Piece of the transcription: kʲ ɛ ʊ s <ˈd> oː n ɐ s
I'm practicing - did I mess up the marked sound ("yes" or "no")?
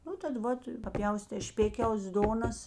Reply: no